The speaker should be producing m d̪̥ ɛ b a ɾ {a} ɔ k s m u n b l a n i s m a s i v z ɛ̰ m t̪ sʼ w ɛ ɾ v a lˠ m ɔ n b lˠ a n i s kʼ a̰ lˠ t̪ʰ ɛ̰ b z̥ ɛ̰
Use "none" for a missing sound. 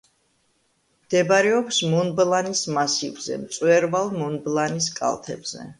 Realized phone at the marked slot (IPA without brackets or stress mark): ɛ